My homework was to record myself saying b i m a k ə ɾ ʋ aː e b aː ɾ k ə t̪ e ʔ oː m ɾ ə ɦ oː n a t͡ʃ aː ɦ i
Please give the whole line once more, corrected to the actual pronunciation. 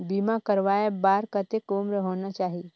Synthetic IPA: b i m a k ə ɾ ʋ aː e b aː ɾ k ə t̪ e k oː m ɾ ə ɦ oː n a t͡ʃ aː ɦ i